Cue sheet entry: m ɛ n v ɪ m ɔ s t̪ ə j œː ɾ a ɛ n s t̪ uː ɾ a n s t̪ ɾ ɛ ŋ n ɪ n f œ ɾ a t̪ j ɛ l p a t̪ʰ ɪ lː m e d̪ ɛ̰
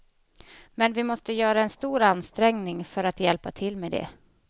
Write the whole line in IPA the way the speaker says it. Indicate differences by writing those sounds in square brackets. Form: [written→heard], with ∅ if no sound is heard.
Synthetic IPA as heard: m ɛ n v ɪ m ɔ s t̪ ə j œː ɾ a ɛ n s t̪ uː ɾ a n s t̪ ɾ ɛ ŋ n ɪ [n→ŋ] f œ ɾ a t̪ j ɛ l p a t̪ʰ ɪ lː m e d̪ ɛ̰